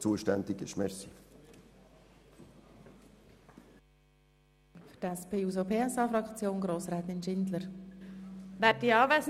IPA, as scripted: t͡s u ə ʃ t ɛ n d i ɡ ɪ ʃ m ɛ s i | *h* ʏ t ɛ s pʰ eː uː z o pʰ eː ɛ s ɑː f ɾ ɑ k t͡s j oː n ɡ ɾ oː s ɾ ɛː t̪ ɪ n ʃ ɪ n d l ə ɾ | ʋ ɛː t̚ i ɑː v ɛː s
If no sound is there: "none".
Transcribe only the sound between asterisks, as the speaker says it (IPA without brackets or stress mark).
f